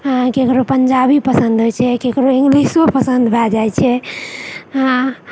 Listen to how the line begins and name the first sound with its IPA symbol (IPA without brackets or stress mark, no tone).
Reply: k